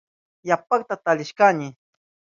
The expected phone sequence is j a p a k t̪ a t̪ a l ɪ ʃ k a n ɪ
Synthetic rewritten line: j a p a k t̪ a t̪ a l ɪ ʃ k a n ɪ